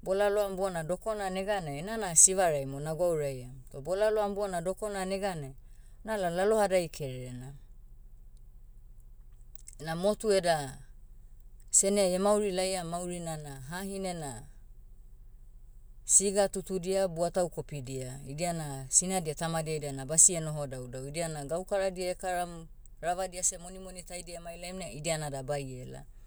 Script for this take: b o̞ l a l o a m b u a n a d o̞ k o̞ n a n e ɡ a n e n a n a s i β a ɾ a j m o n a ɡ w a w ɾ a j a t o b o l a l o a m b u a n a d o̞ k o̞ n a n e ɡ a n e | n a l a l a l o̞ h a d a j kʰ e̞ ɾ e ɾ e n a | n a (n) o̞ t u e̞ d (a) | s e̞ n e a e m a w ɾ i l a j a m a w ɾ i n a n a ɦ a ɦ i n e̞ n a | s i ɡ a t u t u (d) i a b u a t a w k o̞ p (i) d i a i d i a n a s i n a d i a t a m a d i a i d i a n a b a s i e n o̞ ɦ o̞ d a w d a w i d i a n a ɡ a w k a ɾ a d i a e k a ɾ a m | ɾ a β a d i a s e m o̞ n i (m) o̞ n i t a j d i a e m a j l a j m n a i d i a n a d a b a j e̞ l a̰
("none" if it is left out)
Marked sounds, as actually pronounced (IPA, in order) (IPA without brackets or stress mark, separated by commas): m, a, d, i, m